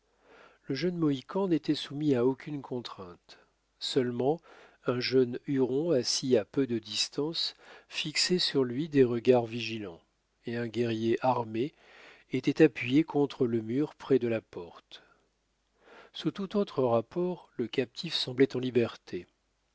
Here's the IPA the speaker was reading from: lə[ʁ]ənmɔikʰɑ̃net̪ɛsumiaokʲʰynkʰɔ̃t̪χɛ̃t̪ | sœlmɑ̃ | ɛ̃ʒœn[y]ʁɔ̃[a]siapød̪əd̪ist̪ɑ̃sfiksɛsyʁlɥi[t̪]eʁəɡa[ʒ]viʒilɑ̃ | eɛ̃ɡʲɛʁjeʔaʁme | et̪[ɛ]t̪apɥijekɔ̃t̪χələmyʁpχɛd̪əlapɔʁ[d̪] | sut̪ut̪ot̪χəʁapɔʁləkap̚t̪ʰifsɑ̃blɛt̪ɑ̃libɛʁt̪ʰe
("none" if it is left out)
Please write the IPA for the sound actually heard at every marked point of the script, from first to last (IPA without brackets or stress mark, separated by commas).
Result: ʒ, y, a, d̪, ʁ, ɛ, t̪